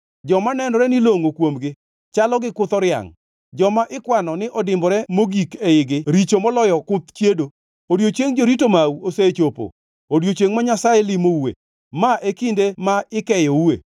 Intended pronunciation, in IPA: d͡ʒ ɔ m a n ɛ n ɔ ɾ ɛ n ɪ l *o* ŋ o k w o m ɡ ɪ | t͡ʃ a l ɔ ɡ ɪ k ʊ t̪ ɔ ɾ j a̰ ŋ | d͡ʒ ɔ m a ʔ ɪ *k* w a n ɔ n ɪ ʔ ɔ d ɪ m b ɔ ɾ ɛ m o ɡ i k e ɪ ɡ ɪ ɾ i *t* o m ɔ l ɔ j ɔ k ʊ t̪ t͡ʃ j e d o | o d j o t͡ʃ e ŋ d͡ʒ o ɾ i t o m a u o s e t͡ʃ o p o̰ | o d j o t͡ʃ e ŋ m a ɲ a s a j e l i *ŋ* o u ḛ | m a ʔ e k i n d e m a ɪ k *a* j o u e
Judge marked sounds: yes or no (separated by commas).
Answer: yes, yes, no, no, no